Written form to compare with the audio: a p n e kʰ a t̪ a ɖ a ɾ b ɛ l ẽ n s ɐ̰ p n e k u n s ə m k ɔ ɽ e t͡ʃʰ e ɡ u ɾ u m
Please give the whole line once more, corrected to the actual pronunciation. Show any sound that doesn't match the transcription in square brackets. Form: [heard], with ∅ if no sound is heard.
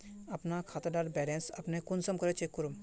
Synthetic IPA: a p n [a] kʰ a t̪ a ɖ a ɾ b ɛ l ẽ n s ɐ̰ p n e k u n s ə m k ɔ [ɾ] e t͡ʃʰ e [k] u ɾ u m

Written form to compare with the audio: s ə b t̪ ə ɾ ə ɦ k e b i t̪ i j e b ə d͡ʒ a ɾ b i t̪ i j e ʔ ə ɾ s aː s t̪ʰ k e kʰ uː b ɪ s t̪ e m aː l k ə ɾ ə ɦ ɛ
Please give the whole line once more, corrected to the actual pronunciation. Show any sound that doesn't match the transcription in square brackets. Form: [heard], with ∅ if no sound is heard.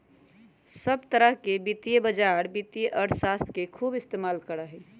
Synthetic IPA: s ə b t̪ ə ɾ ə ɦ k e b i t̪ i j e b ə d͡ʒ a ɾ b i t̪ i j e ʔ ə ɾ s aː s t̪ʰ k e kʰ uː b ɪ s t̪ e m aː l k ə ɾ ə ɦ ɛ

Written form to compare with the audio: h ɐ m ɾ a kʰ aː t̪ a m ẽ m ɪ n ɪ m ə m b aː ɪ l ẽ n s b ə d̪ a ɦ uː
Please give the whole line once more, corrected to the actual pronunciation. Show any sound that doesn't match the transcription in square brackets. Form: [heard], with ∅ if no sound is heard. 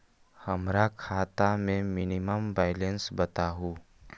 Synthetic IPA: h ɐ m ɾ a kʰ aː t̪ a m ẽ m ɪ n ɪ m ə m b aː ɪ l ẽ n s b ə [t̪] a ɦ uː

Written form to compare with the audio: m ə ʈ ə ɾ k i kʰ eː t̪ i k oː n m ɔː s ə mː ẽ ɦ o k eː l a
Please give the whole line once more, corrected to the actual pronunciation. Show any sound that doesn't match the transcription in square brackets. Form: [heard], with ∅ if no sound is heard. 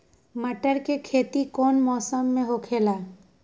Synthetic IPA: m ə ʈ ə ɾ k [e] kʰ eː t̪ i k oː n m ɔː s ə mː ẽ ɦ o [kʰ] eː l a

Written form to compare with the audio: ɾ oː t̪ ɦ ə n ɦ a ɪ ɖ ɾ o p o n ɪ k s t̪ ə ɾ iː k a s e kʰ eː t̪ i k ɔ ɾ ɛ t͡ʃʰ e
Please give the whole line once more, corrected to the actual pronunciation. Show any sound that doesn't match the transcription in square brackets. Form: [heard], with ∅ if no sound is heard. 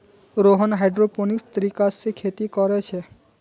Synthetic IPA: ɾ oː [∅] ɦ ə n ɦ a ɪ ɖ ɾ o p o n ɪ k s t̪ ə ɾ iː k a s e kʰ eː t̪ i k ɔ ɾ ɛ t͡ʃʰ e

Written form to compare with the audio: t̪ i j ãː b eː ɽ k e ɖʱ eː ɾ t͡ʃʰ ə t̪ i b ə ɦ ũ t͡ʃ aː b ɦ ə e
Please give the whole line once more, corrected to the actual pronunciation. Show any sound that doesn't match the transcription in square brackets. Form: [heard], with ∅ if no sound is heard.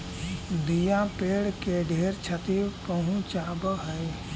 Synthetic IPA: [d̪] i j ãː [p] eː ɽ k e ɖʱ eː ɾ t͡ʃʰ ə t̪ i [p] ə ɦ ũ t͡ʃ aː b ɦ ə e

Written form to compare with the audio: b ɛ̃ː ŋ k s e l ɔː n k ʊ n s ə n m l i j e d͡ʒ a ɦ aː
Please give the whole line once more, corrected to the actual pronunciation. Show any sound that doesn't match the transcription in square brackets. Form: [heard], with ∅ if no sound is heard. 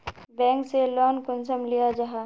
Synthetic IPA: b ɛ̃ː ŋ k s e l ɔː n k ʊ n s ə [∅] m l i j [a] d͡ʒ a ɦ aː

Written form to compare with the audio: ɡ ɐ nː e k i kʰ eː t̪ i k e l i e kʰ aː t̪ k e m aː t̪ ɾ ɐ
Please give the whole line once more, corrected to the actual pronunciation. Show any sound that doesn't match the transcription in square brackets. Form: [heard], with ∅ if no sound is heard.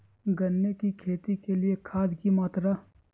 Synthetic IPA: ɡ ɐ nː e k i kʰ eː t̪ i k e l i e kʰ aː [d̪] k [i] m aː t̪ ɾ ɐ

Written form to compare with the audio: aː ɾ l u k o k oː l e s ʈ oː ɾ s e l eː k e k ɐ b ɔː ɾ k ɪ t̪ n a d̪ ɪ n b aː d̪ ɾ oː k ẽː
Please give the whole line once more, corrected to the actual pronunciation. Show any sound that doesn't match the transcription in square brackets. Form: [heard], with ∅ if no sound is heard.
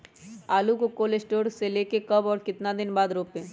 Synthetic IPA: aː [∅] l u k o k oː l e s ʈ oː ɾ s e l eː k e k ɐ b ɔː ɾ k ɪ t̪ n a d̪ ɪ n b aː d̪ ɾ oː [p] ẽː

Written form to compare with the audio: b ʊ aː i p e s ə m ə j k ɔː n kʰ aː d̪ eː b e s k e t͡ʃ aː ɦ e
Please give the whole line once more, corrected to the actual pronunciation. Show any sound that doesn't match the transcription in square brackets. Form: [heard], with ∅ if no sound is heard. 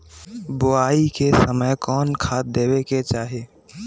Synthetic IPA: b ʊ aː i [k] e s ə m ə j k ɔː n kʰ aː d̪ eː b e [∅] k e t͡ʃ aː ɦ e

